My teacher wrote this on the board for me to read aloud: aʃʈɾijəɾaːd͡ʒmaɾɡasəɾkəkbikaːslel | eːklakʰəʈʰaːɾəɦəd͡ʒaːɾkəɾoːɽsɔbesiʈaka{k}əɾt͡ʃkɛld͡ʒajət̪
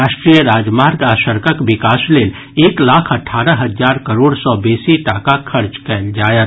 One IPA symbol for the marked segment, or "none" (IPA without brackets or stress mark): kʰ